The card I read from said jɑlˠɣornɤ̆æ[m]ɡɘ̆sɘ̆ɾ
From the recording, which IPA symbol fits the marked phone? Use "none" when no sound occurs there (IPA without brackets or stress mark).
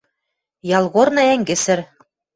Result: ŋ